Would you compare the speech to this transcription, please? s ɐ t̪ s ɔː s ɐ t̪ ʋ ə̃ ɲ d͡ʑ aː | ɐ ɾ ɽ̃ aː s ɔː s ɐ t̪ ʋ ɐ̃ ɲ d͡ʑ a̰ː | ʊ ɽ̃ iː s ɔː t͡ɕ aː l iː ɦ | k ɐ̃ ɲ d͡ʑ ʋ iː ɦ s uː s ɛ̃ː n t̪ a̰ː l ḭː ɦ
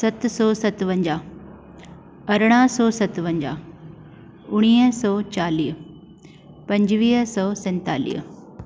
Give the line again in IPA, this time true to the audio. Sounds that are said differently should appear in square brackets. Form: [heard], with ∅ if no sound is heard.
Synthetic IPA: s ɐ t̪ s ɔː s ɐ t̪ ʋ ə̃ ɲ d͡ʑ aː | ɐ ɾ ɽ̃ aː s ɔː s ɐ t̪ ʋ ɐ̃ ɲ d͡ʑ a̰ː | ʊ ɽ̃ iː s ɔː t͡ɕ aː l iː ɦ | [p] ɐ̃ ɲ d͡ʑ ʋ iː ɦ s [ɔː] s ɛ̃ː n t̪ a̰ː l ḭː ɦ